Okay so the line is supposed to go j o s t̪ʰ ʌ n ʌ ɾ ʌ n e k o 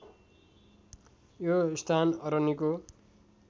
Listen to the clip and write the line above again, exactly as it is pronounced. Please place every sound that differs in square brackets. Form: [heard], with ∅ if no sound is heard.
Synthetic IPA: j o s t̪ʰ [a] n ʌ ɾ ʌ n [i] k o

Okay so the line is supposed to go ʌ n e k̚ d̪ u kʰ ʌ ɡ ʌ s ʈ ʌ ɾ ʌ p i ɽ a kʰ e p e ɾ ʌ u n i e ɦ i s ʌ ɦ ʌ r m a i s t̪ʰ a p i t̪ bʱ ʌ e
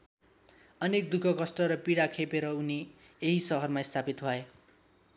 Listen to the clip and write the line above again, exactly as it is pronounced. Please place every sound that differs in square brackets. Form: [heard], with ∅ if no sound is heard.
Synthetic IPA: ʌ n e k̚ d̪ u kʰ ʌ [k] ʌ s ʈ ʌ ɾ ʌ p i ɽ a kʰ e p e ɾ ʌ u n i e ɦ i s ʌ ɦ ʌ r m a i s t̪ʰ a p i t̪ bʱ ʌ e

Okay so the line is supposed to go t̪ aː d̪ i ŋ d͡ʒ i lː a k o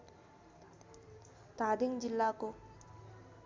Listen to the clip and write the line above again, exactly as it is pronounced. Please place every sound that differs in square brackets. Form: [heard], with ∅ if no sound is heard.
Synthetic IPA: t̪ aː d̪ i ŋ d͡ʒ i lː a k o

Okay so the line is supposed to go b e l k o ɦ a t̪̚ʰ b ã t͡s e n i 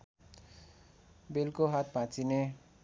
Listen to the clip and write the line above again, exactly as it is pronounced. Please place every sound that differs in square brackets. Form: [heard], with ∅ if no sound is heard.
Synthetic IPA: b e l k o ɦ a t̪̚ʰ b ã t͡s [i] n [e]

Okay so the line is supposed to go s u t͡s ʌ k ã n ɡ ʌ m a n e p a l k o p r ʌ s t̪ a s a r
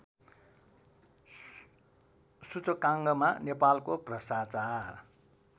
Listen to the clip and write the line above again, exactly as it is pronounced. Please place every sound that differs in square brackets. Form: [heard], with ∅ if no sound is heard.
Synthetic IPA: s u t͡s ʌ k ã [ŋ] ɡ ʌ m a n e p a l k o p r ʌ s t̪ a [t͡s] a r

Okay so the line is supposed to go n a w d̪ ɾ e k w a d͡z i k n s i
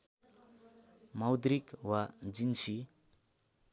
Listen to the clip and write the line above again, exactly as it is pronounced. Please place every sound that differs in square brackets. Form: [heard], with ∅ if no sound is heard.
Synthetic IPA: [m] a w d̪ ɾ [i] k w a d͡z i [∅] n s i

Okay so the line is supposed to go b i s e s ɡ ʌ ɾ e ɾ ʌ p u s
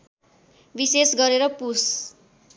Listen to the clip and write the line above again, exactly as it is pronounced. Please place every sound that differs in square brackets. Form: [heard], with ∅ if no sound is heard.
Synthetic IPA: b i s e s ɡ ʌ ɾ e ɾ ʌ p u s

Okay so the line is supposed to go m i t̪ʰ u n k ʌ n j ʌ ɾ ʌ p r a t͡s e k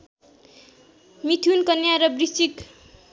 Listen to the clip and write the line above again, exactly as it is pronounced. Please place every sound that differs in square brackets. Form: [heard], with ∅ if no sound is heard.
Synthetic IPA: m i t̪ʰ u n k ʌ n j [a] ɾ ʌ [b] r [i] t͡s [i] k

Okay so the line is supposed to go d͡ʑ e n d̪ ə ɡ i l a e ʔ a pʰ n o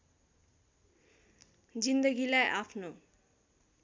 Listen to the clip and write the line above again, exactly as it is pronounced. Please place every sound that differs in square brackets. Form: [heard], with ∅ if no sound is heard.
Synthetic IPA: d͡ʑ [i] n d̪ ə ɡ i l a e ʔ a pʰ n o

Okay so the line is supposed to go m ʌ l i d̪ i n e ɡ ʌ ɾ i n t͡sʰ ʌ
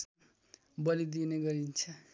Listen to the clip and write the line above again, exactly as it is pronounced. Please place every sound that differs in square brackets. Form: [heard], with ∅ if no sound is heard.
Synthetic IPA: [b] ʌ l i d̪ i n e ɡ ʌ ɾ i n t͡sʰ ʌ

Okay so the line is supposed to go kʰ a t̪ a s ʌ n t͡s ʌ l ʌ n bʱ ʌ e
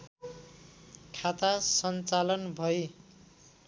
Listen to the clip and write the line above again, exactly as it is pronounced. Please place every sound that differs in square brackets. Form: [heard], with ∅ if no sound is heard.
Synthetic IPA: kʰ a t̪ a s ʌ n t͡s [a] l ʌ n bʱ ʌ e

